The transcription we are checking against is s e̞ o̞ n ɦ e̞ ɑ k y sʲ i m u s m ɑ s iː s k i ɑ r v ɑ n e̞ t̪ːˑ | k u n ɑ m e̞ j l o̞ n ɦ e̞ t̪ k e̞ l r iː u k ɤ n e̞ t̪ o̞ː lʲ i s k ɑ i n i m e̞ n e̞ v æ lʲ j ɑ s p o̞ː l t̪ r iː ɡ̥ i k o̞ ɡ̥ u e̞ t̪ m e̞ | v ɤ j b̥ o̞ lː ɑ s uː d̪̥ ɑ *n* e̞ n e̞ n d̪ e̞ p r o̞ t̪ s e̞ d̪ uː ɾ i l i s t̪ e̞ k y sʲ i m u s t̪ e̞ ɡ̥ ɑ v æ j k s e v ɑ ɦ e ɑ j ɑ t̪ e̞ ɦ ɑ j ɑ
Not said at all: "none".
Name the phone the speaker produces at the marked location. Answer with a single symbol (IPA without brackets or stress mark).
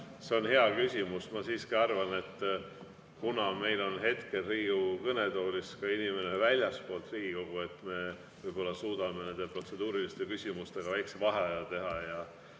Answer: m